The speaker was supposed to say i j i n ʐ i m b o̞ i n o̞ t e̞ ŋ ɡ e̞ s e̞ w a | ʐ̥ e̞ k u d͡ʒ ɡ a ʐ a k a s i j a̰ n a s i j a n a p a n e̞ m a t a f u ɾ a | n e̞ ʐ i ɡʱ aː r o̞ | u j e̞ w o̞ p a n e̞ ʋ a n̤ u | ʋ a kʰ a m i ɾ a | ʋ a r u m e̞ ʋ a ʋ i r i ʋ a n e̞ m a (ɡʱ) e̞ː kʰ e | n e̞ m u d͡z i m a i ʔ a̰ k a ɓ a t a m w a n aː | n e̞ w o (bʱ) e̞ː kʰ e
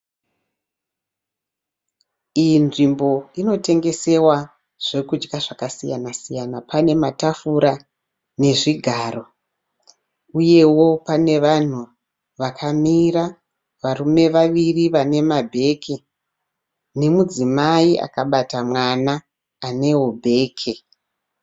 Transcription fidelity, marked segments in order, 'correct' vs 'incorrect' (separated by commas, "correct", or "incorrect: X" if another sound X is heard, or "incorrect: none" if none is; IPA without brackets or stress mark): incorrect: bʱ, correct